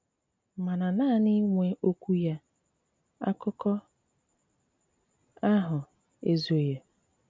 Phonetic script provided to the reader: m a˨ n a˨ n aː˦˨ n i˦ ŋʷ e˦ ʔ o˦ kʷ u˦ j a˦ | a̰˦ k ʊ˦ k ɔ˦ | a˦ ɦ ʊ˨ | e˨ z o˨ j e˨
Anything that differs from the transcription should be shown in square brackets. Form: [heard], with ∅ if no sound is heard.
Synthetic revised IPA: m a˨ n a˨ n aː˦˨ n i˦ ŋʷ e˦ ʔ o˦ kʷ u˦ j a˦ | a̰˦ k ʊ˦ k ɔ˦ | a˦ ɦ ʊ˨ | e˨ z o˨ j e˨